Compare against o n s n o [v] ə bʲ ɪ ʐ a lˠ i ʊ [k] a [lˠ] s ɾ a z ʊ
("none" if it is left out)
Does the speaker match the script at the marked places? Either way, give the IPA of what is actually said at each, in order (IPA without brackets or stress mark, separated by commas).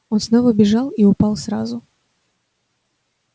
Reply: v, p, lˠ